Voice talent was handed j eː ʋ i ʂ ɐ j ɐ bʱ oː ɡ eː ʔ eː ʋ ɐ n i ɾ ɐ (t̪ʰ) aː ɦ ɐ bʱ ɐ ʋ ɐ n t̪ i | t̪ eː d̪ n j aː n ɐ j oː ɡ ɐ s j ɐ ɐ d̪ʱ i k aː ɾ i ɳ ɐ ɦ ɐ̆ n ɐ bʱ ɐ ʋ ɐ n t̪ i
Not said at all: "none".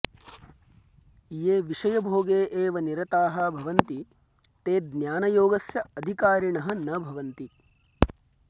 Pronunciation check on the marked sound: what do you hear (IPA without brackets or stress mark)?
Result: t̪